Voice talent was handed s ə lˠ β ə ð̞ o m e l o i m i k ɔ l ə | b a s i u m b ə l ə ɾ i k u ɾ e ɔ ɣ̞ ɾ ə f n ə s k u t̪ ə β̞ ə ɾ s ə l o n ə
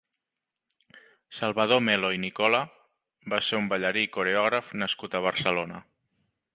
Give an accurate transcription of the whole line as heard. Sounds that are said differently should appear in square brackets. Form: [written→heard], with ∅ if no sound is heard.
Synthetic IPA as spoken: s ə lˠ β ə ð̞ o m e l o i [m→n] i k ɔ l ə | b a s [i→e] u m b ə [l→ʎ] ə ɾ i k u ɾ e ɔ ɣ̞ ɾ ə f n ə s k u t̪ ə β̞ ə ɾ s ə l o n ə